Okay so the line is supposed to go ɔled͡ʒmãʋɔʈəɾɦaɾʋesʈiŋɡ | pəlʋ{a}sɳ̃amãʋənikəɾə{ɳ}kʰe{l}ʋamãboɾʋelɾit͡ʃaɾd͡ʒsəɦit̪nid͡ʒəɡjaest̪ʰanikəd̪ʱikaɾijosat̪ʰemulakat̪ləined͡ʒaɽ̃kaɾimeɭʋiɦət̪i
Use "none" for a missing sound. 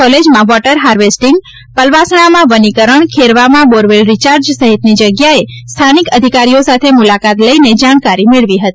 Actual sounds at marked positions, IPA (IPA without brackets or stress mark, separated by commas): a, ɳ, ɾ